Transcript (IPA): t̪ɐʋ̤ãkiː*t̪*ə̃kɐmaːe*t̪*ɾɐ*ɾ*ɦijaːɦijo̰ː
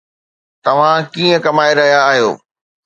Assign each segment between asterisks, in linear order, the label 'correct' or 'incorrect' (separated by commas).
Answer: incorrect, incorrect, incorrect